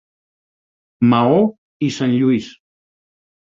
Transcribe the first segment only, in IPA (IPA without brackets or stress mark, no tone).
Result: m